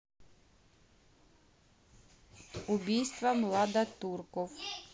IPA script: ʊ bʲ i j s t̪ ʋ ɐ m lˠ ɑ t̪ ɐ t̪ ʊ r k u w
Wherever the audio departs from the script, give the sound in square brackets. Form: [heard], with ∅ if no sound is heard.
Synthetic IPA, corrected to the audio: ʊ bʲ i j s t̪ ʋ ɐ m lˠ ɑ [d̪] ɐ t̪ [u] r k [ɔ] w